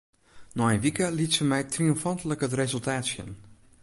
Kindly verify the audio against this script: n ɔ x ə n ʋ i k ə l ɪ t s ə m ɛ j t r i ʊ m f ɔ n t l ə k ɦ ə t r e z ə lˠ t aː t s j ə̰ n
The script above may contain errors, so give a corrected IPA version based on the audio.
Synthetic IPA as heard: n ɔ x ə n ʋ i k ə l i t s ə m ɛ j t r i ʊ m f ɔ n t l ə k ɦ ə t r e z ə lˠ t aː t s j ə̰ n